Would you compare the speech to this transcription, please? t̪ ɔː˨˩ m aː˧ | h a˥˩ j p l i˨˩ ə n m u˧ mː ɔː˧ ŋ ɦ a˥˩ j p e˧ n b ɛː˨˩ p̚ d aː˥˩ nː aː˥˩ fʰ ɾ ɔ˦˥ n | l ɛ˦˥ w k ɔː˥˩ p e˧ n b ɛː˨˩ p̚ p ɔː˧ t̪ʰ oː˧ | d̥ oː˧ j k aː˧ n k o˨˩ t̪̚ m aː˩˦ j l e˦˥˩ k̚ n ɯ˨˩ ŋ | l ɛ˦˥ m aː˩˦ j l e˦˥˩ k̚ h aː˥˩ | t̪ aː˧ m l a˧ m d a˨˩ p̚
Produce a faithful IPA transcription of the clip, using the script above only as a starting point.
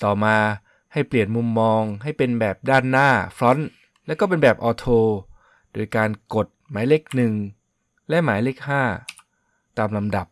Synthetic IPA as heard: t̪ ɔː˨˩ m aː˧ | h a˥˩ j p l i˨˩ ə n m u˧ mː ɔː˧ ŋ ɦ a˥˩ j p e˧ n b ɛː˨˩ p̚ d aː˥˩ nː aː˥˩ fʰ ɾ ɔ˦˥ n | l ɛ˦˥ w k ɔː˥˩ p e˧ n b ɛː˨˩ p̚ ʔ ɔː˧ t̪ʰ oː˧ | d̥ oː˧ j k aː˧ n k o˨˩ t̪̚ m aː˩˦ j l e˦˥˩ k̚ n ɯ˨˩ ŋ | l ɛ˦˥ m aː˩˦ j l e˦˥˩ k̚ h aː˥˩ | t̪ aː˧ m l a˧ m d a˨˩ p̚